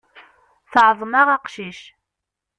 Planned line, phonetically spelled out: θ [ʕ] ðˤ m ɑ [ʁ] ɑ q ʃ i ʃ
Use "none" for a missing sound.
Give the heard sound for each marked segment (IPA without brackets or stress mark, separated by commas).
ʕ, ʁ